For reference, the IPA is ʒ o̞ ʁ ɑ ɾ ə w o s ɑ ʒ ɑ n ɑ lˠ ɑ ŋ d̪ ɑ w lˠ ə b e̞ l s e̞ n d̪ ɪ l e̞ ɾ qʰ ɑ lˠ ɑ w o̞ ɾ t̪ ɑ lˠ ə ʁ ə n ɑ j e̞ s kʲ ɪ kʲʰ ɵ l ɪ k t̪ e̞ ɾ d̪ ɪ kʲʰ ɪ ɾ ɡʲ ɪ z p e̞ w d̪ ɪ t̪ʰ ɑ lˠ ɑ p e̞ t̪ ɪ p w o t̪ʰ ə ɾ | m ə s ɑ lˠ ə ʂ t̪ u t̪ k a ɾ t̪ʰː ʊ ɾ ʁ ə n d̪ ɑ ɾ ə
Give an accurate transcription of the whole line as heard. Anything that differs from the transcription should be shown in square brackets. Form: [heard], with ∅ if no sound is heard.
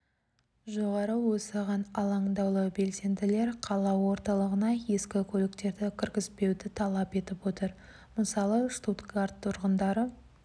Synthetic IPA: ʒ o̞ ʁ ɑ ɾ ə w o s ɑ [ʁ] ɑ n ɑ lˠ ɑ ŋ d̪ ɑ w lˠ ə b e̞ l s e̞ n d̪ ɪ l e̞ ɾ qʰ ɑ lˠ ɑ w o̞ ɾ t̪ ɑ lˠ ə ʁ ə n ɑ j e̞ s kʲ ɪ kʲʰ ɵ l ɪ k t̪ e̞ ɾ d̪ ɪ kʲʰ ɪ ɾ ɡʲ ɪ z p e̞ w d̪ ɪ t̪ʰ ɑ lˠ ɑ p e̞ t̪ ɪ p w o [t̪] ə ɾ | m ə s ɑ lˠ ə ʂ t̪ u t̪ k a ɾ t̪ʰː ʊ ɾ ʁ ə n d̪ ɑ ɾ ə

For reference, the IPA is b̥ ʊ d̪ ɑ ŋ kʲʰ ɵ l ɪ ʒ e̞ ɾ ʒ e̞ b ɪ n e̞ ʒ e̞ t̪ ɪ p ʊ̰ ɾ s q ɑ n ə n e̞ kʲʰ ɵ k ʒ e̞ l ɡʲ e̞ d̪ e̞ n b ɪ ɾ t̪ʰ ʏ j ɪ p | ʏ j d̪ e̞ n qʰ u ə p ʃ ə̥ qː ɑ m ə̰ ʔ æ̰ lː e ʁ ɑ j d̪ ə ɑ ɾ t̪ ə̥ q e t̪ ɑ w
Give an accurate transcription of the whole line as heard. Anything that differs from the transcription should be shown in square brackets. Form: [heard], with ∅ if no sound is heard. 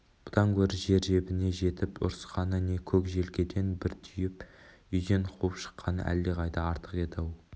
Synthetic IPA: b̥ ʊ d̪ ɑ ŋ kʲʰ ɵ [ɾ] ɪ ʒ e̞ ɾ ʒ e̞ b ɪ n e̞ ʒ e̞ t̪ ɪ p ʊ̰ ɾ s q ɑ n ə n e̞ kʲʰ ɵ k ʒ e̞ l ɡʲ e̞ d̪ e̞ n b ɪ ɾ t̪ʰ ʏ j ɪ p | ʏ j d̪ e̞ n qʰ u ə p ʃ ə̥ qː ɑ [n] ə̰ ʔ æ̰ lː e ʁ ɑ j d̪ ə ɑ ɾ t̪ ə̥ q e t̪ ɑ w

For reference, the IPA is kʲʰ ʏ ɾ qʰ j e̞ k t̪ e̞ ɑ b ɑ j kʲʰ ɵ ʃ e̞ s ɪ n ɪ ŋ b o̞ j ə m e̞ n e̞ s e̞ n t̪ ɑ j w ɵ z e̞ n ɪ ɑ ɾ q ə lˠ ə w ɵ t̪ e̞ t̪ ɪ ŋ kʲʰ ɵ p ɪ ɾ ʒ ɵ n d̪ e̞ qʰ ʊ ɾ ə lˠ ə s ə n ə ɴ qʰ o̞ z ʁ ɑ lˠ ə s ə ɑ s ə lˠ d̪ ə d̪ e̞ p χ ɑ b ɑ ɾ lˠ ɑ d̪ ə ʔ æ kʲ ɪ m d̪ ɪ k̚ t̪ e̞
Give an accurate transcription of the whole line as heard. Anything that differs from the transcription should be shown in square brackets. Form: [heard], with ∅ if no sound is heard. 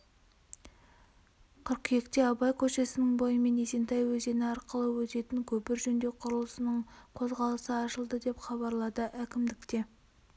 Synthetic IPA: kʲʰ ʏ ɾ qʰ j e̞ k t̪ e̞ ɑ b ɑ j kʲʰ ɵ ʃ e̞ s ɪ n ɪ ŋ b o̞ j ə m e̞ n e̞ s e̞ n t̪ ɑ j w ɵ z e̞ n ɪ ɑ ɾ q ə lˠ ə w ɵ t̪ e̞ t̪ ɪ ŋ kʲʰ ɵ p ɪ ɾ ʒ ɵ n d̪ e̞ qʰ ʊ ɾ ə lˠ ə s ə n ə ɴ qʰ o̞ z ʁ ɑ lˠ ə s ə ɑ [ʃ] ə lˠ d̪ ə d̪ e̞ p χ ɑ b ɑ ɾ lˠ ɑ d̪ ə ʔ æ kʲ ɪ m d̪ ɪ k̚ t̪ e̞

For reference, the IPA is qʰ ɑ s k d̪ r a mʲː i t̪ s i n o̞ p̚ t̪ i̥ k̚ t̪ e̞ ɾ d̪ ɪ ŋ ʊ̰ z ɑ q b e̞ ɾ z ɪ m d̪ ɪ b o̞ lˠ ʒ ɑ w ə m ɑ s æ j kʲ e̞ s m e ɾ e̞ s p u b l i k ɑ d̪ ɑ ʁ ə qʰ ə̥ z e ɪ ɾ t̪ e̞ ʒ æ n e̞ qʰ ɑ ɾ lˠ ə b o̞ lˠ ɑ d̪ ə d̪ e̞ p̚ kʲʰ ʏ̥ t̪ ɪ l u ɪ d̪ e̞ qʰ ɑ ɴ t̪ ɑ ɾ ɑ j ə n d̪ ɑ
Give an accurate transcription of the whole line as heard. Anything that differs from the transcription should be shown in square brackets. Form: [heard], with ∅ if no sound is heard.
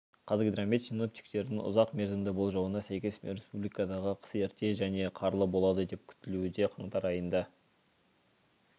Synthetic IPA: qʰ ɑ [z] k d̪ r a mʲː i t̪ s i n o̞ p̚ t̪ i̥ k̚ t̪ e̞ ɾ d̪ ɪ ŋ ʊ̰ z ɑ q [m] e̞ ɾ z ɪ m d̪ ɪ b o̞ lˠ ʒ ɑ w ə [n] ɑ s æ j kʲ e̞ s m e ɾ e̞ s p u b l i k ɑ d̪ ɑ ʁ ə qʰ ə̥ [s] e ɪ ɾ t̪ e̞ ʒ æ n e̞ qʰ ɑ ɾ lˠ ə b o̞ lˠ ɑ d̪ ə d̪ e̞ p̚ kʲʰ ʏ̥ t̪ ɪ l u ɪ d̪ e̞ qʰ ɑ ɴ t̪ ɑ ɾ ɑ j ə n d̪ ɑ

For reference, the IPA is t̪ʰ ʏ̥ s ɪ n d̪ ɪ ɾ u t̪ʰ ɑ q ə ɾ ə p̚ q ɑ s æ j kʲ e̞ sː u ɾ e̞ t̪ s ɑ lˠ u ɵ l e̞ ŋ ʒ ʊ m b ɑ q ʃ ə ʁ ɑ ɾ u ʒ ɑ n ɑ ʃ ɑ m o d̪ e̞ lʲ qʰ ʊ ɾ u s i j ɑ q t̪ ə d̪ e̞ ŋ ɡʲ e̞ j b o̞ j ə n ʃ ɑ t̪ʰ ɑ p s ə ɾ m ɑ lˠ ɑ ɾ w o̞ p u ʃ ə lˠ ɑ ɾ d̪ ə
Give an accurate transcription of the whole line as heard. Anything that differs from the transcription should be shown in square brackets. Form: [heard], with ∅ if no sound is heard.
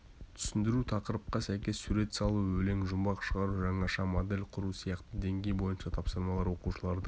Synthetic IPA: t̪ʰ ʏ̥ s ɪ n d̪ ɪ ɾ u t̪ʰ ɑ q ə ɾ ə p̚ q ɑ s æ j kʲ e̞ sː u ɾ e̞ t̪ s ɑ lˠ u ɵ l e̞ ŋ ʒ ʊ m b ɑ q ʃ ə ʁ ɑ ɾ u ʒ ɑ [ɴ] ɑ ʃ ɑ m o d̪ e̞ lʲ qʰ ʊ ɾ u s i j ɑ q t̪ ə d̪ e̞ ŋ ɡʲ e̞ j b o̞ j ə n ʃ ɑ t̪ʰ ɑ p s ə ɾ m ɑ lˠ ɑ ɾ w o̞ [q] u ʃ ə lˠ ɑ ɾ d̪ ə

